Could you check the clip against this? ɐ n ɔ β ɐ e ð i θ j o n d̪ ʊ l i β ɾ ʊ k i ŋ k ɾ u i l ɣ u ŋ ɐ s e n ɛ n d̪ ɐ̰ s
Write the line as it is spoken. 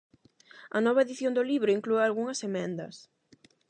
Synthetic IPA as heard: ɐ n ɔ β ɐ e ð i θ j o n d̪ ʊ l i β ɾ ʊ i ŋ k l u a l ɣ u ŋ ɐ s e m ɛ n d̪ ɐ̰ s